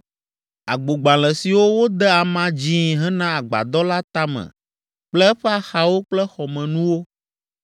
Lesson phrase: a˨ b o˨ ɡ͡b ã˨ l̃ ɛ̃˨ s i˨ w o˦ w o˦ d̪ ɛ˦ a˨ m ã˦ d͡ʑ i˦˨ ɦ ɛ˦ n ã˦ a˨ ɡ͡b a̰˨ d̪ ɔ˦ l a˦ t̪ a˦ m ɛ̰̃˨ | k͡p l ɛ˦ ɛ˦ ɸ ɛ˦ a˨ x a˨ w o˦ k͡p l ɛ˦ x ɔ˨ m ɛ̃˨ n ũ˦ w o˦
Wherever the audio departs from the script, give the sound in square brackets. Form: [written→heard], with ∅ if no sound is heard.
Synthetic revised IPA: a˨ [b→ɡ͡b] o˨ ɡ͡b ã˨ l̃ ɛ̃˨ s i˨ w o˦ w o˦ d̪ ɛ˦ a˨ m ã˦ d͡ʑ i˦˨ ɦ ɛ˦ n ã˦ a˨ ɡ͡b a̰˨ d̪ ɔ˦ l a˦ t̪ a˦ m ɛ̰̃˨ | k͡p l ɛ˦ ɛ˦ ɸ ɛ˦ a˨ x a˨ w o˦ k͡p l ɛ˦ x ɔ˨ m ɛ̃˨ n ũ˦ w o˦